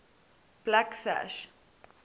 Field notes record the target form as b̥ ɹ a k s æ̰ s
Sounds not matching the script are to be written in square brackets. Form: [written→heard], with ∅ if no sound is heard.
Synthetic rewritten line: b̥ [ɹ→l] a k s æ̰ [s→ʃ]